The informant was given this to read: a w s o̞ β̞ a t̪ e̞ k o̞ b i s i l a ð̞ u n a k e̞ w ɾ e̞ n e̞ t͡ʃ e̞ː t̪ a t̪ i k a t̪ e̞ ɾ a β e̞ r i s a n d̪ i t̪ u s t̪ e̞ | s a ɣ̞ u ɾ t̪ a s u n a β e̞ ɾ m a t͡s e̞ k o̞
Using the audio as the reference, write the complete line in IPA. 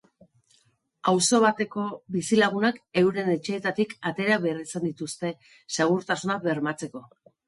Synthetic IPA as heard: a w s o̞ β̞ a t̪ e̞ k o̞ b i s i l a ɣ̞ u n a k e̞ w ɾ e̞ n e̞ t͡ʃ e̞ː t̪ a t̪ i k a t̪ e̞ ɾ a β e̞ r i s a n d̪ i t̪ u s t̪ e̞ | s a ɣ̞ u ɾ t̪ a s u n a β e̞ ɾ m a t͡s e̞ k o̞